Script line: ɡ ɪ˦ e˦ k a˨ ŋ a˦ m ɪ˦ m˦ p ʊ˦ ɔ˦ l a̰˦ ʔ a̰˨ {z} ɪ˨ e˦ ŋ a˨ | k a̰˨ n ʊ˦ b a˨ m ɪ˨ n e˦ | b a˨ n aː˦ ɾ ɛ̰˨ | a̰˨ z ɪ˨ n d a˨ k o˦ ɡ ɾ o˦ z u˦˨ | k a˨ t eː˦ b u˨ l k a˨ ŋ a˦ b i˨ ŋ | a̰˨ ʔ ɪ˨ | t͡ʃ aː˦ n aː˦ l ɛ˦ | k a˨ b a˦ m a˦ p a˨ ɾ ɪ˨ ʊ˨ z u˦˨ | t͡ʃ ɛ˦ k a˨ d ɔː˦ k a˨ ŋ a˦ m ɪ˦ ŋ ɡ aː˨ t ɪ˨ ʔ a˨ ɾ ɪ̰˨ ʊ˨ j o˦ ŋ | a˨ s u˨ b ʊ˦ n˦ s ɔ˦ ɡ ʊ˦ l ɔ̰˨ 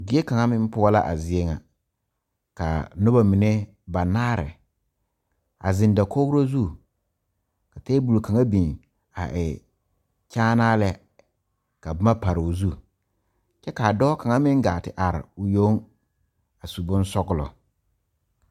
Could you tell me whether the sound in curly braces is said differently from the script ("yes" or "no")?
no